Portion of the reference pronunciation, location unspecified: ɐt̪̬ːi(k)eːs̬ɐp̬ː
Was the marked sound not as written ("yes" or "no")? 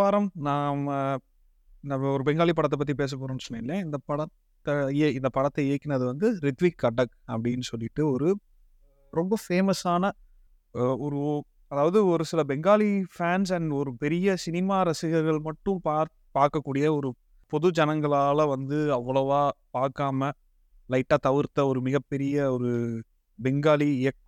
yes